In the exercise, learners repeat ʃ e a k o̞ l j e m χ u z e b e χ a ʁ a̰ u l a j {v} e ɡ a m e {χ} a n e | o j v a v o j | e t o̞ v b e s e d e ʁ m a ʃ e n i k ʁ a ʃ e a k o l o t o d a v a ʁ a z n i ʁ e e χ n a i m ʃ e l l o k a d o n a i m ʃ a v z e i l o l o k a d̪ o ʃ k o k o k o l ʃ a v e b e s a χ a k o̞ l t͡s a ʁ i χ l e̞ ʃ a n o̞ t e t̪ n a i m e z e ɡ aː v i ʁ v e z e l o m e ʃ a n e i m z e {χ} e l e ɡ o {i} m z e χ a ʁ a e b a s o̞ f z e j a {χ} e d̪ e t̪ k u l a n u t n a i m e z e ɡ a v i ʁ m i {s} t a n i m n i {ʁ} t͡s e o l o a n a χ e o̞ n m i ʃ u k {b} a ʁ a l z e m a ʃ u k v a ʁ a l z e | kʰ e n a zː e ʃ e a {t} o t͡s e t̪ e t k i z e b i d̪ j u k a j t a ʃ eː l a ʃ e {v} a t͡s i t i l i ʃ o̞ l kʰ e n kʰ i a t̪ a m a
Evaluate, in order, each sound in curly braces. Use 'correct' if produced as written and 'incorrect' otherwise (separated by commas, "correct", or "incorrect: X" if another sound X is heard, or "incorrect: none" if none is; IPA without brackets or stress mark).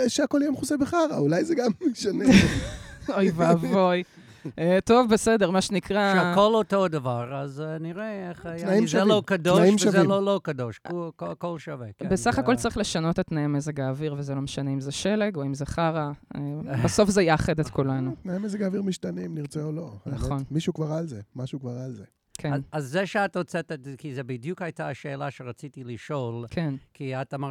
incorrect: z, incorrect: ʃ, incorrect: ʃ, correct, correct, incorrect: ʃ, correct, incorrect: v, correct, incorrect: ʁ